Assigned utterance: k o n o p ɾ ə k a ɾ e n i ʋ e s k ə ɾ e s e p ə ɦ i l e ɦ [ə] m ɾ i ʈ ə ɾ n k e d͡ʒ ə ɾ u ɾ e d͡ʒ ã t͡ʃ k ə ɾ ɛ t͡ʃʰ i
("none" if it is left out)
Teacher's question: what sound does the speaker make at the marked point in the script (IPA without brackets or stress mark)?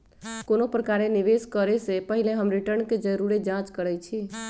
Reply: ə